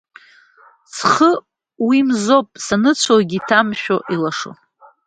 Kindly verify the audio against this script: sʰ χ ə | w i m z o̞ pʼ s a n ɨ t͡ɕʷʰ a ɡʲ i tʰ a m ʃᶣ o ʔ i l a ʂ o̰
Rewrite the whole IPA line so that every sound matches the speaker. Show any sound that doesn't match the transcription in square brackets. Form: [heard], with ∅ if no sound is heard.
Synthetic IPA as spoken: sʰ χ ə | w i m z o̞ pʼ s a n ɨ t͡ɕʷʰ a ɡʲ i tʰ a m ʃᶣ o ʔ i l a ʂ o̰